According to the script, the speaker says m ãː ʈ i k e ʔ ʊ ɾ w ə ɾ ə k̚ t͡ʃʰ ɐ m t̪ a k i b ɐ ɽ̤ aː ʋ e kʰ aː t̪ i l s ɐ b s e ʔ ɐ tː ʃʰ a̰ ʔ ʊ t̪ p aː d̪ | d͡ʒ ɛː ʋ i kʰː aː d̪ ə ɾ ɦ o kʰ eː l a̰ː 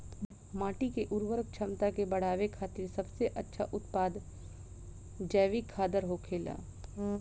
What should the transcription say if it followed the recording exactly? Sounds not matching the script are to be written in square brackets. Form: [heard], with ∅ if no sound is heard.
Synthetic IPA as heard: m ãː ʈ i k e ʔ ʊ ɾ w ə ɾ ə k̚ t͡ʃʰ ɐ m t̪ a k [e] b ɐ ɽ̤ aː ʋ e kʰ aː t̪ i [ɾ] s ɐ b s e ʔ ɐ tː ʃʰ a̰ ʔ ʊ t̪ p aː d̪ | d͡ʒ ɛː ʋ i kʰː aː d̪ ə ɾ ɦ o kʰ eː l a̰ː

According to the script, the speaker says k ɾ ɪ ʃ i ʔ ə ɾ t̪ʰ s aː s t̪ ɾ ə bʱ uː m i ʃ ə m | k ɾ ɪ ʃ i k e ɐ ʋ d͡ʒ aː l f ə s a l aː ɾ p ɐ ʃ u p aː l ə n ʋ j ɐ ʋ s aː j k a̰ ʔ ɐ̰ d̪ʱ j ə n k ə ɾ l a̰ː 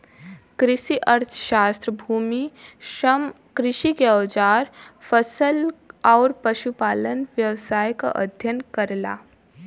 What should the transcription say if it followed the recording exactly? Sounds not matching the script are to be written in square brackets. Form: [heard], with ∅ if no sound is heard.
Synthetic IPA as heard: k ɾ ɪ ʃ i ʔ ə ɾ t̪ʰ [ʃ] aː s t̪ ɾ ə bʱ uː m i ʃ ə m | k ɾ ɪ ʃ i k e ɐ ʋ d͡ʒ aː [ɾ] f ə s [ə] l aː ɾ p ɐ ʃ u p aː l ə n ʋ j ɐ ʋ s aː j k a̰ ʔ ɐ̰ d̪ʱ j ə n k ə ɾ l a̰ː

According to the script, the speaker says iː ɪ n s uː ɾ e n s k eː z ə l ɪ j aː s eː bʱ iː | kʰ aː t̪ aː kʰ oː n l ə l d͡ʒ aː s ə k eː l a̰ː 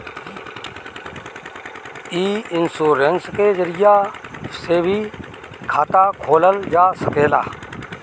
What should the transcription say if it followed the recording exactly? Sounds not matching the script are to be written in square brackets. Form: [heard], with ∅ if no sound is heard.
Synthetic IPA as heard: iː ɪ n s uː ɾ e n s k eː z ə [ɾ] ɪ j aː s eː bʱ iː | kʰ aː t̪ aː kʰ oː [∅] l ə l d͡ʒ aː s ə k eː l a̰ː

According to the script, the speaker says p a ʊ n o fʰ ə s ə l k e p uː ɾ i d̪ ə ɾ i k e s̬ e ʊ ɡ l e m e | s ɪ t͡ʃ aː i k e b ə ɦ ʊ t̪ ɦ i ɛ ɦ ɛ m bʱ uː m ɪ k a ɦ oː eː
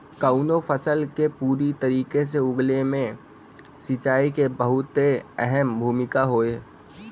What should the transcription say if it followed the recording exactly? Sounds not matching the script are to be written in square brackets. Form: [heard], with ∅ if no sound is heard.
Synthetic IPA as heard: [k] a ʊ n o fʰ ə s ə l k e p uː ɾ i [t̪] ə ɾ [iː] k e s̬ e ʊ ɡ l e m [ẽ] | s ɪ t͡ʃ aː i k e b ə ɦ ʊ t̪ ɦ [e] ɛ ɦ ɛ m bʱ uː m ɪ k a ɦ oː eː

